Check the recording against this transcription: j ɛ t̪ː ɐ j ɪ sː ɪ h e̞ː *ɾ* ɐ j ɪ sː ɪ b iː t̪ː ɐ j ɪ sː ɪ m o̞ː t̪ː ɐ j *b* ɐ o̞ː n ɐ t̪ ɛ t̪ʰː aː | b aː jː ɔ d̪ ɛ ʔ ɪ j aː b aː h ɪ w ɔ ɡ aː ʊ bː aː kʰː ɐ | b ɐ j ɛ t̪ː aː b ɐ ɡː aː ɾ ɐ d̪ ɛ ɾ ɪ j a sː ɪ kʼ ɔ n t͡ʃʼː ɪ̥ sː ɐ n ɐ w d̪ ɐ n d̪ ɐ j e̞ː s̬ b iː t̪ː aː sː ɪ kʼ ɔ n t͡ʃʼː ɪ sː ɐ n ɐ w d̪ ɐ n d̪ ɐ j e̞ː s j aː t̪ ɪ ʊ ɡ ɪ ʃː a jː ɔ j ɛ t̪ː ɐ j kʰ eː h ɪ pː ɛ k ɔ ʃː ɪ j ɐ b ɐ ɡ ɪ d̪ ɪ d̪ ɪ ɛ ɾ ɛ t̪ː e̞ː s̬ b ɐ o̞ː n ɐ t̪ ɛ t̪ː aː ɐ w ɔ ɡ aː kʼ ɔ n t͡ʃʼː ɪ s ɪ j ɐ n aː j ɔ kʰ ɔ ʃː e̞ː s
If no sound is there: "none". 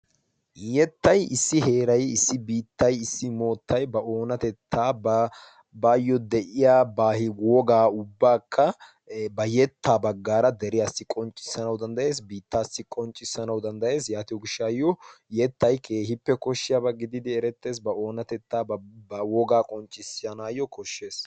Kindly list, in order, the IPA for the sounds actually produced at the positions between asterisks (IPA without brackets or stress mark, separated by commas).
ɾ, b